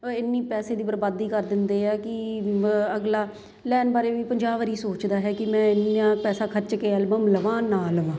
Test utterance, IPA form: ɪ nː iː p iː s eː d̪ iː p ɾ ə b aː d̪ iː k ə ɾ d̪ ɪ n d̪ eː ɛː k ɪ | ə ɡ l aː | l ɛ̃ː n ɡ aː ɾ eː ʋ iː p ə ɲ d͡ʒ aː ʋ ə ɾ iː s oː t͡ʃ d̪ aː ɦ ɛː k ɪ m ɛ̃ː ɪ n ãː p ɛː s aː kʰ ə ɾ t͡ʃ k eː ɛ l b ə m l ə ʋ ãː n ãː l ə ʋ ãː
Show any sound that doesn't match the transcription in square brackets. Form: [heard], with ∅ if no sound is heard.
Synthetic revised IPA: ɪ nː iː p [ɛː] s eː d̪ iː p ɾ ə b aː d̪ iː k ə ɾ d̪ ɪ n d̪ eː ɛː k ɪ | ə ɡ l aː | l [ɛː] n [b] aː ɾ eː ʋ iː p ə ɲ d͡ʒ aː ʋ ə ɾ iː s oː t͡ʃ d̪ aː ɦ ɛː k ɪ m ɛ̃ː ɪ n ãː p ɛː s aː kʰ ə ɾ t͡ʃ k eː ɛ l b ə m l ə ʋ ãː n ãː l ə ʋ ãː